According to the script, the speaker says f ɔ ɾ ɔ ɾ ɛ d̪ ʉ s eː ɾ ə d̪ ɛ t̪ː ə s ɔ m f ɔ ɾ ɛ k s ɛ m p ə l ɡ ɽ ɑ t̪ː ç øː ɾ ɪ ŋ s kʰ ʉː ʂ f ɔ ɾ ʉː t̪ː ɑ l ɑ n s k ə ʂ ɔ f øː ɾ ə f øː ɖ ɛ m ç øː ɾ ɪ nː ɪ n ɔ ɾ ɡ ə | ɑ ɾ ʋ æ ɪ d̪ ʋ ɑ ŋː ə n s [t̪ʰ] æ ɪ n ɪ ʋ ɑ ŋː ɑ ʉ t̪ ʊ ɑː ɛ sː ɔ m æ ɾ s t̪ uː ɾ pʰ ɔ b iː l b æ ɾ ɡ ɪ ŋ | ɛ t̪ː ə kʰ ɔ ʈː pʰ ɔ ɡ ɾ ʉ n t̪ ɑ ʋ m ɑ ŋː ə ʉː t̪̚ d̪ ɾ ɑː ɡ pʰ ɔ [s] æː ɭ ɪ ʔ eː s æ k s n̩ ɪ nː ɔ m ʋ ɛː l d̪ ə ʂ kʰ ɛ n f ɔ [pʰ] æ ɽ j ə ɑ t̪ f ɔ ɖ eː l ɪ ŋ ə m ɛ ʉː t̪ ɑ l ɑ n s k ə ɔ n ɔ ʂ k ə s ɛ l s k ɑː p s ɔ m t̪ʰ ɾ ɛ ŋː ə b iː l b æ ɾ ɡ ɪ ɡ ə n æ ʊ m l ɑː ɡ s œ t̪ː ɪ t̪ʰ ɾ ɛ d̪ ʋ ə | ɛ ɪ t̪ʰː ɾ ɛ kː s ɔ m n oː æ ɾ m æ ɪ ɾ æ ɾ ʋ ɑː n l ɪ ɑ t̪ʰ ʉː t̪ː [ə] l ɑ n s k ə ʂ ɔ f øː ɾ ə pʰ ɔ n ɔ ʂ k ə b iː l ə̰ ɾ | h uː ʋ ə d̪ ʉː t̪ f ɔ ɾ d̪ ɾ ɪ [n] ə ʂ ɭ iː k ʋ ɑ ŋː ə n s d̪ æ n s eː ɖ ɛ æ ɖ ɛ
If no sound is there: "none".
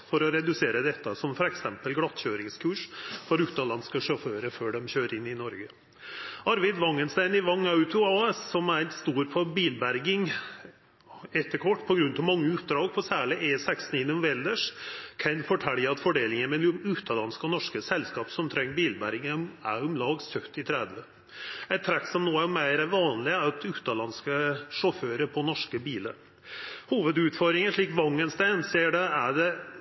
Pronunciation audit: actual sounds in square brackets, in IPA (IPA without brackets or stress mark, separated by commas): t̪, s, ʈʰ, ɑ, ŋ